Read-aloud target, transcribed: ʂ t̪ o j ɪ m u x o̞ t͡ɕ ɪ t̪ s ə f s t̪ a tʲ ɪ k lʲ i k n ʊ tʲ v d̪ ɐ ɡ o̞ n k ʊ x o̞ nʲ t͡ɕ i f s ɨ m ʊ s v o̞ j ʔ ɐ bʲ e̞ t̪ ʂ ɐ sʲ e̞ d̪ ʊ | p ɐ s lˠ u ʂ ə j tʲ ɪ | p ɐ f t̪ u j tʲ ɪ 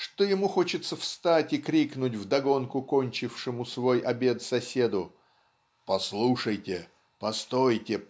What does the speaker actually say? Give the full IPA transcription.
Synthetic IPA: ʂ t̪ o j ɪ m u x o̞ t͡ɕ ɪ t̪ s ə f s t̪ a tʲ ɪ k ɾʲ i k n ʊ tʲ v d̪ ɐ ɡ o̞ n k ʊ k o̞ nʲ t͡ɕ ɪ f ʂ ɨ m ʊ s v o̞ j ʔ ɐ bʲ e̞ t̪ s ɐ sʲ e̞ d̪ ʊ | p ɐ s lˠ u ʂ ə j tʲ ɪ | p ɐ s t̪ o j tʲ ɪ

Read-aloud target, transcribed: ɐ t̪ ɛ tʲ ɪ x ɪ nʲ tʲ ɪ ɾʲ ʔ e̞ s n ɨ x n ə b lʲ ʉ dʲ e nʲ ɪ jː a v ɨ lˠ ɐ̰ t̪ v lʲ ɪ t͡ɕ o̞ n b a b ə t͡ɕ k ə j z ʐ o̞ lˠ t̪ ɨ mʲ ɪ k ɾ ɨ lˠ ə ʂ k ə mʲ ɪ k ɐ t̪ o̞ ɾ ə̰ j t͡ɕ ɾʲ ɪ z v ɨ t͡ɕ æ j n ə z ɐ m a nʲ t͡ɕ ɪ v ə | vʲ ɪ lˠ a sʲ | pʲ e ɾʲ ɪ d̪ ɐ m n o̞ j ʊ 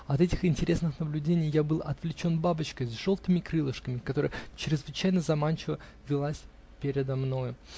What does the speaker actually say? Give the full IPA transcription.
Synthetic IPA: ɐ t̪ ɛ tʲ ɪ x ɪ nʲ tʲ ɪ ɾʲ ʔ e̞ s n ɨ x n ə b lʲ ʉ dʲ e nʲ ɪ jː a b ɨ lˠ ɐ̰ t̪ v lʲ ɪ t͡ɕ o̞ n b a b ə t͡ɕ k ə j z ʐ o̞ lˠ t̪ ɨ mʲ ɪ k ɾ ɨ lˠ ə ʂ k ə mʲ ɪ k ɐ t̪ o̞ ɾ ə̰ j t͡ɕ ɾʲ ɪ z v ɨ t͡ɕ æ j n ə z ɐ m a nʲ t͡ɕ ɪ v ə | vʲ ɪ lˠ a sʲ | pʲ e ɾʲ ɪ d̪ ɐ m n o̞ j ʊ

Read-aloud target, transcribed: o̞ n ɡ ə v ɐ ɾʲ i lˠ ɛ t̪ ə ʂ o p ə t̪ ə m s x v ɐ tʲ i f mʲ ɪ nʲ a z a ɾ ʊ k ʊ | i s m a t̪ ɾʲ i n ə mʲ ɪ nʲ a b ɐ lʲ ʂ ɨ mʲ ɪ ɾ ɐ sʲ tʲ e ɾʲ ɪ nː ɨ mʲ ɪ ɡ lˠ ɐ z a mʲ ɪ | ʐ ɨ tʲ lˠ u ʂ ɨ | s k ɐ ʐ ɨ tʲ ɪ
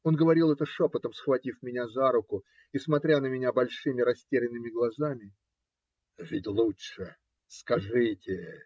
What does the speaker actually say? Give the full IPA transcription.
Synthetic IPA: o̞ n ɡ ə v ɐ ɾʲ i lˠ ɛ t̪ ə ʂ o p ə t̪ ə m s x v ɐ tʲ i f mʲ ɪ nʲ a z a ɾ ʊ k ʊ | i s m ɐ t̪ ɾʲ a n ə mʲ ɪ nʲ a b ɐ lʲ ʂ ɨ mʲ ɪ ɾ ɐ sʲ tʲ e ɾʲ ɪ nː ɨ mʲ ɪ ɡ lˠ ɐ z a mʲ ɪ | ʐ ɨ tʲ lˠ u ʂ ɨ | s k ɐ ʐ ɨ tʲ ɪ

